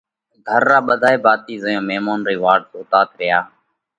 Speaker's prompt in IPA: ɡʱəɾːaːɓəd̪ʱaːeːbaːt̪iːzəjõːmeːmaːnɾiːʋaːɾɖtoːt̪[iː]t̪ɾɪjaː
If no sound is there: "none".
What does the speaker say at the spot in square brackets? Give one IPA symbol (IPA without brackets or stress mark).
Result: aː